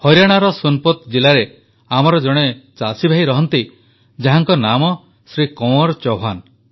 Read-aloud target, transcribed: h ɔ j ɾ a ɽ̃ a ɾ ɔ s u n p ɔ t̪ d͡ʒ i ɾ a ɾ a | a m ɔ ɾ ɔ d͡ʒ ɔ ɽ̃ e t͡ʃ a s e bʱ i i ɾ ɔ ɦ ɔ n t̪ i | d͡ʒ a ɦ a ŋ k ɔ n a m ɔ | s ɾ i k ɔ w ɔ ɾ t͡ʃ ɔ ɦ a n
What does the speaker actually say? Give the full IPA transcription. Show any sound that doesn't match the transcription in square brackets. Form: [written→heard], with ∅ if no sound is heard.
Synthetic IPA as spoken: h ɔ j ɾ a ɽ̃ a ɾ ɔ s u n p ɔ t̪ d͡ʒ i [ɾ→l] a ɾ [a→e] | a m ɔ ɾ ɔ d͡ʒ ɔ ɽ̃ e t͡ʃ a s [e→i] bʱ [i→a] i ɾ ɔ ɦ ɔ n t̪ i | d͡ʒ a ɦ a ŋ k ɔ n a m ɔ | s ɾ i k ɔ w ɔ ɾ t͡ʃ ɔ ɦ a n